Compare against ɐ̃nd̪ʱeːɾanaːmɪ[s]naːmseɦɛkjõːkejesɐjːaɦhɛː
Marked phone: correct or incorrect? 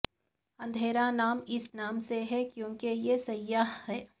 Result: correct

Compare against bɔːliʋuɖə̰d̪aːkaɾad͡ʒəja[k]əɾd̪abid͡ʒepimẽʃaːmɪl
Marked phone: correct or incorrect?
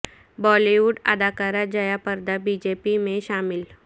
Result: incorrect: p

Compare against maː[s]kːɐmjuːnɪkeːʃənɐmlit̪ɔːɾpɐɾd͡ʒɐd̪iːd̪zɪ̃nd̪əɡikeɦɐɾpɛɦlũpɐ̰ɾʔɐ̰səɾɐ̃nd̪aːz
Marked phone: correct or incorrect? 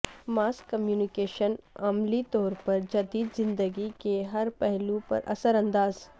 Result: correct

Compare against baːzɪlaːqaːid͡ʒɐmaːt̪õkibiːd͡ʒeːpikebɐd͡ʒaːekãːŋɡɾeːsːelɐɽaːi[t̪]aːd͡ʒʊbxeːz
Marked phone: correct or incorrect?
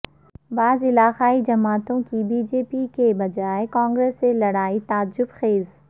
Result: correct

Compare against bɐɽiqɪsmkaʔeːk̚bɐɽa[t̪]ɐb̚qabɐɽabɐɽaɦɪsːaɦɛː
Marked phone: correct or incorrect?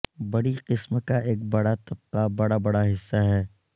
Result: correct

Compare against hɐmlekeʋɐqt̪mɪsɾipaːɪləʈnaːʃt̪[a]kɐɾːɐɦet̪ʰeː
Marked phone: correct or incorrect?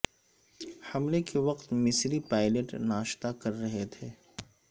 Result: correct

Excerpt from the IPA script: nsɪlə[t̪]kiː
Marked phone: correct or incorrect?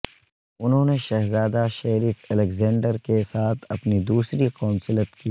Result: correct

